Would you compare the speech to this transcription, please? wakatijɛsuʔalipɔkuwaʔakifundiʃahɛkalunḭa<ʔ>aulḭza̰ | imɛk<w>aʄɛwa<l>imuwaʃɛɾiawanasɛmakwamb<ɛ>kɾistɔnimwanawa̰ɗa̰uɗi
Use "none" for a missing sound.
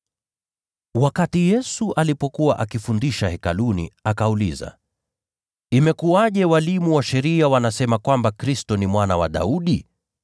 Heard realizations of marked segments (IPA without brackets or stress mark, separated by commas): k, u, l, a